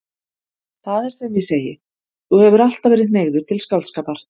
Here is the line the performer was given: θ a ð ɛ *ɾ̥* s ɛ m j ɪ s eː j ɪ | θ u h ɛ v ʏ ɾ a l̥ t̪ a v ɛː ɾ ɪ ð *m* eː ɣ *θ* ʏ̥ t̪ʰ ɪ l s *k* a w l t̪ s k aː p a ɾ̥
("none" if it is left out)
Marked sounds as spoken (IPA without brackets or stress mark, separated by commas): ɾ̥, n, ð, k